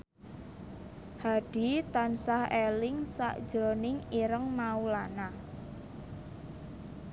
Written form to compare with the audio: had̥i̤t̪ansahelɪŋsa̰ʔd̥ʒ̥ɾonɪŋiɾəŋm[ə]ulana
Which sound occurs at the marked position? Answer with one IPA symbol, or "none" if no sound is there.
a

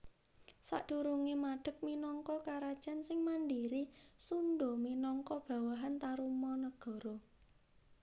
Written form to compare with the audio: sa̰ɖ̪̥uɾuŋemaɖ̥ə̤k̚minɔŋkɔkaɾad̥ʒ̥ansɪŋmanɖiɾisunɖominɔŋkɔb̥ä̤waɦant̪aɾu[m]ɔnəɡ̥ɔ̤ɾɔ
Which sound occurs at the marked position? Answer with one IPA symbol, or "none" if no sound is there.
m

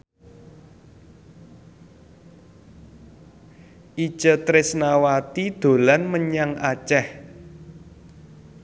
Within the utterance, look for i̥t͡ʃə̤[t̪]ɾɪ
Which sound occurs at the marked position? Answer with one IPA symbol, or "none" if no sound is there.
t̪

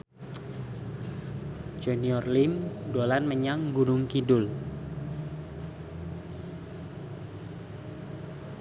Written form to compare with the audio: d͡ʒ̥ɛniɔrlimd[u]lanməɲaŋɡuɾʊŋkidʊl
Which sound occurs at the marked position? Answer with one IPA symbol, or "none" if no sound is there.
o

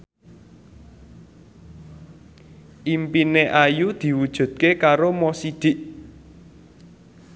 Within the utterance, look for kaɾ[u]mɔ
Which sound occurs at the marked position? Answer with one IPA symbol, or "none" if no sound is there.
o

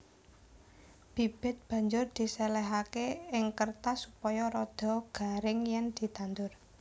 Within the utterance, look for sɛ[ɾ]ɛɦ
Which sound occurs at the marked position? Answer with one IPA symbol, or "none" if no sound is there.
l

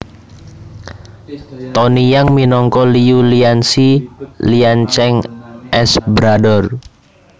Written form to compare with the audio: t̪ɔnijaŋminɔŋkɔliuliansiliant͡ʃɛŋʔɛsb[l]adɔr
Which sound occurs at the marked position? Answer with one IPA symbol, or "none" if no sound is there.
ɾ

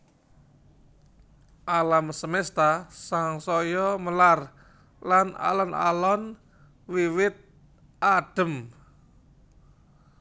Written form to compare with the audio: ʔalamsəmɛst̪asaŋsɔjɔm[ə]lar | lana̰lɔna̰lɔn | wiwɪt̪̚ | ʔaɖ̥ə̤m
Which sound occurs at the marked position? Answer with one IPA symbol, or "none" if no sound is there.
ə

